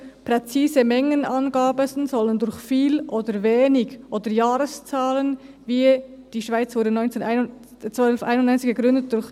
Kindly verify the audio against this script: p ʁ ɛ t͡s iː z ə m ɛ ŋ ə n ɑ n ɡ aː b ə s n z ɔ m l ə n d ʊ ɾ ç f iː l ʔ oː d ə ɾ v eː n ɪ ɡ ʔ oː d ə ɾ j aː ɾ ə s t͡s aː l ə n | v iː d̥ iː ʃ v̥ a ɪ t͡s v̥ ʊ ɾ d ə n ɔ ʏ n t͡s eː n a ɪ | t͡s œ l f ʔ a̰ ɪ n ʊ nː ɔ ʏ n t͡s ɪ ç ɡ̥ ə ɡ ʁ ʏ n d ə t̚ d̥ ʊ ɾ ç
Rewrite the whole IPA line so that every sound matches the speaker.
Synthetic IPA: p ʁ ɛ t͡s iː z ə m ɛ ŋ ə n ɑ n ɡ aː b ə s n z ɔ l ə n d ʊ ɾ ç f iː l ʔ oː d ə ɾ v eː n ɪ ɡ ʔ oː d ə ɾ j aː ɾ ə s t͡s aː l ə n | v iː d̥ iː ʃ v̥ a ɪ t͡s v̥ ʊ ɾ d ə n ɔ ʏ n t͡s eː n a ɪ | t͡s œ l f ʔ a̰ ɪ n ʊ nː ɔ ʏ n t͡s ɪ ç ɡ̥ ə ɡ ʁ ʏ n d ə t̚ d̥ ʊ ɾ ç